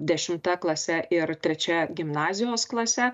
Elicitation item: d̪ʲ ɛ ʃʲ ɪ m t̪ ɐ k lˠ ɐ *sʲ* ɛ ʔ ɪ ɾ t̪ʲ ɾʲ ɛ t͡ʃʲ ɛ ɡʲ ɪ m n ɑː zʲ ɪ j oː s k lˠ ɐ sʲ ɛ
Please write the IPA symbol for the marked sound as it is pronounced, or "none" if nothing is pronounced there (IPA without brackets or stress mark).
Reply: sʲ